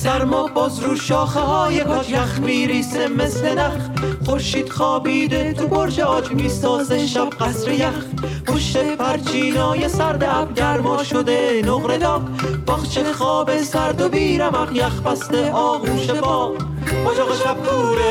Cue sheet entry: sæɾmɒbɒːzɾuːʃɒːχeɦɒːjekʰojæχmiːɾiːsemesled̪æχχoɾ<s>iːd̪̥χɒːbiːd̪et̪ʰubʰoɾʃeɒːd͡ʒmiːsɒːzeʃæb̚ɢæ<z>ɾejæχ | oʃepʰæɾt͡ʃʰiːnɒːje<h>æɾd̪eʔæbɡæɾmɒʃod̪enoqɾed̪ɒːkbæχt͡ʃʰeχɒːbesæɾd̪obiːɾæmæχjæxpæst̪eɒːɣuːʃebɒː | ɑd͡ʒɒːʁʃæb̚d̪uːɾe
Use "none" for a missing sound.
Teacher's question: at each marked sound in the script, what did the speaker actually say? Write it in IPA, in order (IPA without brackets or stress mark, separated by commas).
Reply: ʃ, s, s